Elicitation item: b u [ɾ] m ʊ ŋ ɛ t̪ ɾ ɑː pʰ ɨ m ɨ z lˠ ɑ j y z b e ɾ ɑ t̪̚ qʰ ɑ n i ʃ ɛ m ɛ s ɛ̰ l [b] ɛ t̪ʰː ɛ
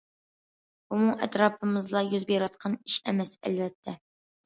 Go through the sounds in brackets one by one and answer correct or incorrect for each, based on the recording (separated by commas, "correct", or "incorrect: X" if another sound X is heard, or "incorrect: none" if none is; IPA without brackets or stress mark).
incorrect: none, incorrect: v